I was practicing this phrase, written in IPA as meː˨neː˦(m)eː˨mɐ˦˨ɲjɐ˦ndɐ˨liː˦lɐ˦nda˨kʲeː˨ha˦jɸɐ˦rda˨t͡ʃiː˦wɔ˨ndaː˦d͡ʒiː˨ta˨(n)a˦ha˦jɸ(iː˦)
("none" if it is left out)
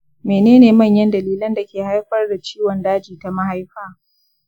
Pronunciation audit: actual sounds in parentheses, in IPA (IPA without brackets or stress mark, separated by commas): n, m, aː˦